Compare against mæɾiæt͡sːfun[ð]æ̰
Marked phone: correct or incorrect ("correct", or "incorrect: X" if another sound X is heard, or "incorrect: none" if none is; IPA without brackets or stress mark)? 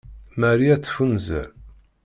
incorrect: z